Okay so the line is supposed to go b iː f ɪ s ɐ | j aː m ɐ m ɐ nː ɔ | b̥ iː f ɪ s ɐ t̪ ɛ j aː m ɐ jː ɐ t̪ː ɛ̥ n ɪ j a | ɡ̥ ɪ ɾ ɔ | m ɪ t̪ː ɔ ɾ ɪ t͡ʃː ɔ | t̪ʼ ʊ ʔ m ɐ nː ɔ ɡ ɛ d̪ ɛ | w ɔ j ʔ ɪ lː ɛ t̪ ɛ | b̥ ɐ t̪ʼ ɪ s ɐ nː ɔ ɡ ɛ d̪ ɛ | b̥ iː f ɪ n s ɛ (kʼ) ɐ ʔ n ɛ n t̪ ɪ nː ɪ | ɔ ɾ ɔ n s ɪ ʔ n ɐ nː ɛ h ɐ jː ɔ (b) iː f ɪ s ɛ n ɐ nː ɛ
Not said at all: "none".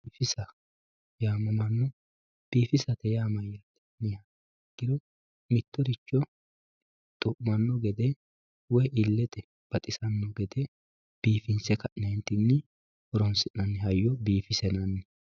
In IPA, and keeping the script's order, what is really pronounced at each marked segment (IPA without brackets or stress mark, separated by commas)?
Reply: k, b